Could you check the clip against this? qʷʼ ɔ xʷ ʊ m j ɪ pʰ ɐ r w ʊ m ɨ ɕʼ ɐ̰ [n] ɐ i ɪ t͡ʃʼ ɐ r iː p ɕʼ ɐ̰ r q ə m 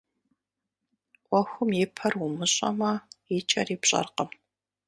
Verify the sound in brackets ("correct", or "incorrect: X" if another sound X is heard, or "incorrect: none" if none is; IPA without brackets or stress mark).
incorrect: m